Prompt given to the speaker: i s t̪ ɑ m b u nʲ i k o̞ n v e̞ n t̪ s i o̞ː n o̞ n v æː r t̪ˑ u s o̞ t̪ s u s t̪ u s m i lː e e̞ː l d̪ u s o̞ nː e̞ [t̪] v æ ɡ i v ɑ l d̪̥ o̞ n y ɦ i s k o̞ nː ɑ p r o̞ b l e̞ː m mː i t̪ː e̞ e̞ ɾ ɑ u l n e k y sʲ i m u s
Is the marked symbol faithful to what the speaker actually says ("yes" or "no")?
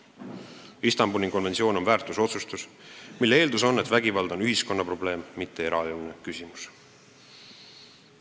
yes